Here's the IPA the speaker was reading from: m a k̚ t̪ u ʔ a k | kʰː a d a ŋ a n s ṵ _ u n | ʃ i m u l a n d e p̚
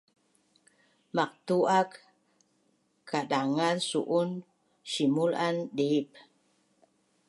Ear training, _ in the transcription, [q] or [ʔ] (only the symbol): ʔ